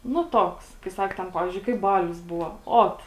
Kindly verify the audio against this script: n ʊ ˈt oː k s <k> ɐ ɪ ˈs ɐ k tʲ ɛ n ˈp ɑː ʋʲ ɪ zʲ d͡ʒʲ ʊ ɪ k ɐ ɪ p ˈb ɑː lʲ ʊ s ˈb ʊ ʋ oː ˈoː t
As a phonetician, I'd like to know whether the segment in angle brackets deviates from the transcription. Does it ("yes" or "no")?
no